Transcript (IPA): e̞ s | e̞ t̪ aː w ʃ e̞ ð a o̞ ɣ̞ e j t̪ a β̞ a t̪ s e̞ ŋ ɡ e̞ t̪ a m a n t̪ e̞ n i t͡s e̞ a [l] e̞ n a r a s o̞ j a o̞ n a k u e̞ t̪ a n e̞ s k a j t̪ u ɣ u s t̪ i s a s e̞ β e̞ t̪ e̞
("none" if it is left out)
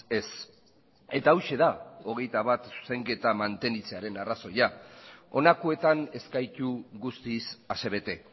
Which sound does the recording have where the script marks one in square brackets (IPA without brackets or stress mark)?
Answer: ɾ